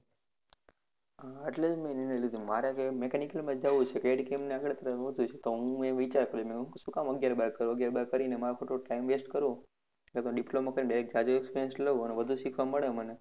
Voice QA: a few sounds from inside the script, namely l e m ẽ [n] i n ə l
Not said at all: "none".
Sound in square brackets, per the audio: n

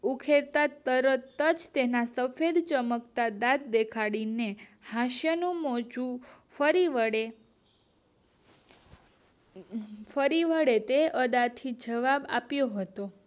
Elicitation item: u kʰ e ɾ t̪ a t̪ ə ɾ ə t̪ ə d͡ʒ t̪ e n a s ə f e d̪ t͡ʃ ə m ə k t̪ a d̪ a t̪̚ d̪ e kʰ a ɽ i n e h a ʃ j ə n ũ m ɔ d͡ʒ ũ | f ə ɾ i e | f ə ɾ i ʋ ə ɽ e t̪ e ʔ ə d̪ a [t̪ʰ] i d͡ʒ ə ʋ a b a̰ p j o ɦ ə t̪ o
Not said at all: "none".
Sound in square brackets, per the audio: t̪ʰ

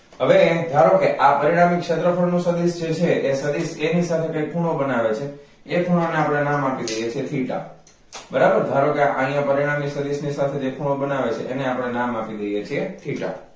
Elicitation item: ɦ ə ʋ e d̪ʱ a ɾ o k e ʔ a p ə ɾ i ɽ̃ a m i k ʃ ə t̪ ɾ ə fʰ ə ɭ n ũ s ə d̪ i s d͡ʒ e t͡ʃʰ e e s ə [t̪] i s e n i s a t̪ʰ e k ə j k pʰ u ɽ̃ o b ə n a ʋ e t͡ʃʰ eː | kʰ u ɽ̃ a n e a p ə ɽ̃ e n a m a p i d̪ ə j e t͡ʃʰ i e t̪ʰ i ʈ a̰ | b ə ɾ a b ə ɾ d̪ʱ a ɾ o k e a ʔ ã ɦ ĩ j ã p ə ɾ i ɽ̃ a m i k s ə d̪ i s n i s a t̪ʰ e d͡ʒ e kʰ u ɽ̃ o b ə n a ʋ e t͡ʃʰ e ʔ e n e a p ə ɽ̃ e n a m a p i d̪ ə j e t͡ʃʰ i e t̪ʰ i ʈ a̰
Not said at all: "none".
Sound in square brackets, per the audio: d̪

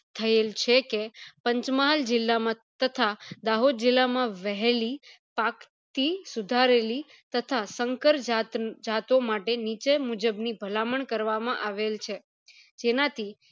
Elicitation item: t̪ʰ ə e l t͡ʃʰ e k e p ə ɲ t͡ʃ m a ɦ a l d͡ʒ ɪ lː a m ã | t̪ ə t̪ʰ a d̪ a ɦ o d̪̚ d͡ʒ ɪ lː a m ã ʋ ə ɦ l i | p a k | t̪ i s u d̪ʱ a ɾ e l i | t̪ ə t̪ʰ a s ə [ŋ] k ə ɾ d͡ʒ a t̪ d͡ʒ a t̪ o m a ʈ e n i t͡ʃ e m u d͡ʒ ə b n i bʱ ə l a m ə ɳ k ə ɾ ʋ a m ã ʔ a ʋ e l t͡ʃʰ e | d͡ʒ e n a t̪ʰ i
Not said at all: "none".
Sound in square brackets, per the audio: ŋ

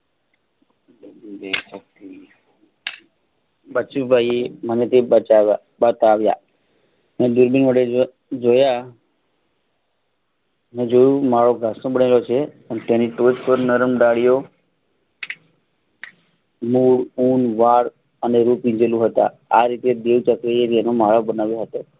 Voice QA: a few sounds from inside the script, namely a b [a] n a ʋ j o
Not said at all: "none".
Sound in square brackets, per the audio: ə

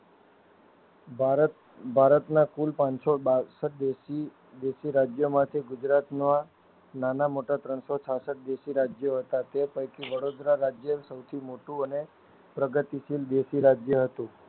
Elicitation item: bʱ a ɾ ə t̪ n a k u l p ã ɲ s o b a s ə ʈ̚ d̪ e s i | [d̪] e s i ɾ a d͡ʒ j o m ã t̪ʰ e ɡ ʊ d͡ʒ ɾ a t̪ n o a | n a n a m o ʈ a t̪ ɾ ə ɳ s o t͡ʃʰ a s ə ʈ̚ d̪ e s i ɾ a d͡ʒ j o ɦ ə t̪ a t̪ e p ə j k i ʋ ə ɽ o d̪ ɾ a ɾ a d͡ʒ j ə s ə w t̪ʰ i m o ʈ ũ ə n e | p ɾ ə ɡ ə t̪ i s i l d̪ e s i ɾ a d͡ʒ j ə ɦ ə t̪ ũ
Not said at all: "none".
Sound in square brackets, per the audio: d̪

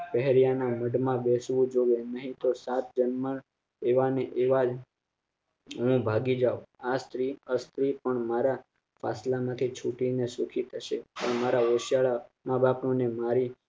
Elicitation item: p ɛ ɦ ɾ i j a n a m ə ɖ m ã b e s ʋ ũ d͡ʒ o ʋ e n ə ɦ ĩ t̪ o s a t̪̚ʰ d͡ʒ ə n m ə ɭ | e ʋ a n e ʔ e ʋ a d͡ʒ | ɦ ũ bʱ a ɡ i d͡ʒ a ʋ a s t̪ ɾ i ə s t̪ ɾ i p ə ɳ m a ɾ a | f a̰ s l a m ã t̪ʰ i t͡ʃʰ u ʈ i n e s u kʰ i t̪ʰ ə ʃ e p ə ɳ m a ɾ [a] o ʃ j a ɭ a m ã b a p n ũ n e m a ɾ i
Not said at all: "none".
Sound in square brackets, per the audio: a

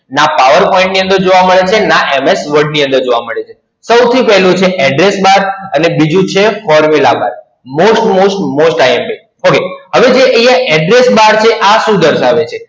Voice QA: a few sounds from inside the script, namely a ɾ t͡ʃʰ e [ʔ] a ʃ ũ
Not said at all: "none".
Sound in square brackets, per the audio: ʔ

